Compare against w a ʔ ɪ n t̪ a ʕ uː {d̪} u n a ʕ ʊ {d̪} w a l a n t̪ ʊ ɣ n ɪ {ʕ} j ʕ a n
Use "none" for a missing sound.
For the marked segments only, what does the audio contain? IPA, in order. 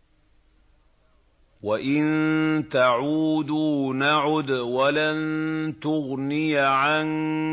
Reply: d̪, d̪, none

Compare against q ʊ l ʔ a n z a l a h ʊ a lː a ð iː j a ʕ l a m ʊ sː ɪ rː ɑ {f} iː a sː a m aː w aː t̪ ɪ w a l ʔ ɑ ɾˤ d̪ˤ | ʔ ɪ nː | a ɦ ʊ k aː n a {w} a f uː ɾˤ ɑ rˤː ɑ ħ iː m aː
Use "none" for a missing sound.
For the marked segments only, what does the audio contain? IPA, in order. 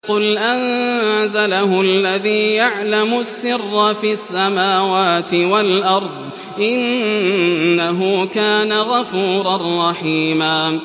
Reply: f, ɣ

